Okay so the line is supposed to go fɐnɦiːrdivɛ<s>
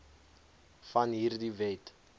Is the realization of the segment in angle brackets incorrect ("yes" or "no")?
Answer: yes